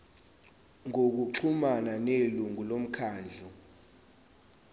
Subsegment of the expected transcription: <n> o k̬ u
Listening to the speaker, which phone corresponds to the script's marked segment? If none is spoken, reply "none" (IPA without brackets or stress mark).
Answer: ŋ